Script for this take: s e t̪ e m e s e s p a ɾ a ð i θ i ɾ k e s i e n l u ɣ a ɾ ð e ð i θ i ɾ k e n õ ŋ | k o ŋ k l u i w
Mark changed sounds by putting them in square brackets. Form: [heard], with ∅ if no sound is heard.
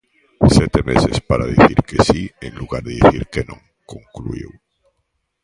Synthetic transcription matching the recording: s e t̪ e m e s e s p a ɾ a ð i θ i ɾ k e s i e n l u ɣ a ɾ ð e ð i θ i ɾ k e n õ ŋ | k o ŋ k l u i w